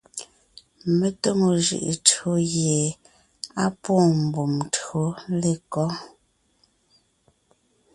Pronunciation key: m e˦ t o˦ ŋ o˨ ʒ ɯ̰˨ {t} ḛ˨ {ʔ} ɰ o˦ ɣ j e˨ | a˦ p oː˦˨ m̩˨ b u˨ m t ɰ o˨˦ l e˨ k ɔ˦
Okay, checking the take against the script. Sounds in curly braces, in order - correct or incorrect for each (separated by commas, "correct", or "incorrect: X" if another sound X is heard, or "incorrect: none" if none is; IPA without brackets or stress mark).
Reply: incorrect: ʔ, incorrect: t